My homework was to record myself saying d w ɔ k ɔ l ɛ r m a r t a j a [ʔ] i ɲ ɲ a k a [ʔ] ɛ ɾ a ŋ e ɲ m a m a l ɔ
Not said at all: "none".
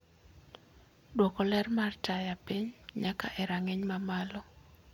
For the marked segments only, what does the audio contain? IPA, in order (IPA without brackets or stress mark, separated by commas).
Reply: p, ʔ